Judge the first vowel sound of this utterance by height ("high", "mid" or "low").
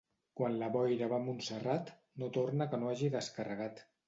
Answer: low